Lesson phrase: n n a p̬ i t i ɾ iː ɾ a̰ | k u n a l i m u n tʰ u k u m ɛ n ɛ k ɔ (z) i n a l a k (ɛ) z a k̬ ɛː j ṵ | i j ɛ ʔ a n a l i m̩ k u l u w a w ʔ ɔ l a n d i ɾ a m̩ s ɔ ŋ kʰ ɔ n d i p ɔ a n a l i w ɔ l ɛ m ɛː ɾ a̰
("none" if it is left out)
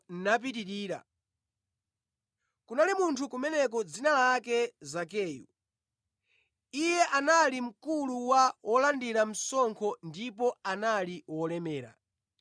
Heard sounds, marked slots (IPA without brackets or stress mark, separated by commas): d͡z, ɛ